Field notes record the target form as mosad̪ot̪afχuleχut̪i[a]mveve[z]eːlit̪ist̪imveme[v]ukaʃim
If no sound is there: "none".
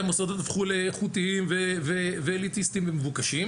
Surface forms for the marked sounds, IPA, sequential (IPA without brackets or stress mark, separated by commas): i, v, v